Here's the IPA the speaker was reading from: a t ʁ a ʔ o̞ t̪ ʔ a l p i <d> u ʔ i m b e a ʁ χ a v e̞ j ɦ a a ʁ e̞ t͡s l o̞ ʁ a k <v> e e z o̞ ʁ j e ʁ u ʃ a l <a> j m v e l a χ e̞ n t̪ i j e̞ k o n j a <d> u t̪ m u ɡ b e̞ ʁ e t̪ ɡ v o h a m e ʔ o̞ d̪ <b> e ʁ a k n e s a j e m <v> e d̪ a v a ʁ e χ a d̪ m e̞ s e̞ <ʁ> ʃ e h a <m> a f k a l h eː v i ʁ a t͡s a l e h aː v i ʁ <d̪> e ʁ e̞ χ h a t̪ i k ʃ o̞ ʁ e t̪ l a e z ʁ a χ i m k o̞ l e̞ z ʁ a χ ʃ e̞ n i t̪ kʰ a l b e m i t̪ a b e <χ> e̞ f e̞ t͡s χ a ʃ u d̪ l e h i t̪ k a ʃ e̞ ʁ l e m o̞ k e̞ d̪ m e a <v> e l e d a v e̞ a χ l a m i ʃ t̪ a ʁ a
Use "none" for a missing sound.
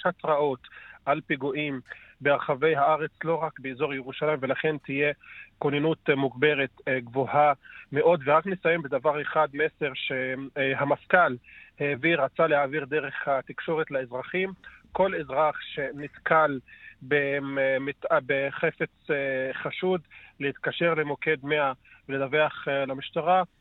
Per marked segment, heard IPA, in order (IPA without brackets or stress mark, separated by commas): ɡ, b, a, n, v, b, ʁ, m, d̪, χ, v